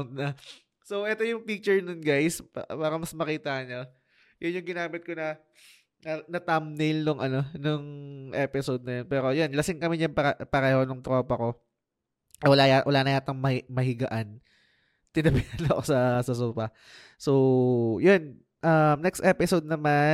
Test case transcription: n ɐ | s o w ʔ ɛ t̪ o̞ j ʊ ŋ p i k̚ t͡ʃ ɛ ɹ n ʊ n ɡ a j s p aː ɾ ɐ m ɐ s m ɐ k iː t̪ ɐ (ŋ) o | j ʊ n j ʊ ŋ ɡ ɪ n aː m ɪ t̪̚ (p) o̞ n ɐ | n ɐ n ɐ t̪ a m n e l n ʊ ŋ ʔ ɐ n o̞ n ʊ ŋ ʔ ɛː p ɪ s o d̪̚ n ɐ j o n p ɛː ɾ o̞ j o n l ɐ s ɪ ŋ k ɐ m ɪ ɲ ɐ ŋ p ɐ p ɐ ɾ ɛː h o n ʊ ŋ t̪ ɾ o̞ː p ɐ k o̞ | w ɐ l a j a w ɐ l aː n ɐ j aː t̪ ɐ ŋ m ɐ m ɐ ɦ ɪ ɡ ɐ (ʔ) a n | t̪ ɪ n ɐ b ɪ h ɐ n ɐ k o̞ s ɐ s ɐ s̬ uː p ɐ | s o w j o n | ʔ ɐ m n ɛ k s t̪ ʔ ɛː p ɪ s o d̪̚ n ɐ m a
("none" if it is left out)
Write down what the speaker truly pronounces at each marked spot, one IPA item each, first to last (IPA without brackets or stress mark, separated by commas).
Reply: ɲ, k, ʔ